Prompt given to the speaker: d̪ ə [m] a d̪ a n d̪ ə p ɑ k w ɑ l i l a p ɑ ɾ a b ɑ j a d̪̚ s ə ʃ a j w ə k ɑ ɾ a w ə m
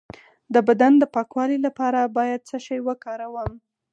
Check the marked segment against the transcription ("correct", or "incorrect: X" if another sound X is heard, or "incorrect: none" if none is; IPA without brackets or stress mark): incorrect: b